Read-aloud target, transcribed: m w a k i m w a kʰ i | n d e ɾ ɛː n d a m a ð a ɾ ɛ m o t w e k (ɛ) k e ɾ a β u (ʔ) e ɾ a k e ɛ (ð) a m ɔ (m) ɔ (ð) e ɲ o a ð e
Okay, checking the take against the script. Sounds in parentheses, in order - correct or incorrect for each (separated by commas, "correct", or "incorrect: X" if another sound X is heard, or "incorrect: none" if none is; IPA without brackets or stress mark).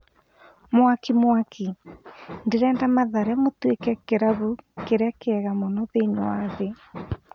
correct, incorrect: k, incorrect: ɣ, incorrect: n, correct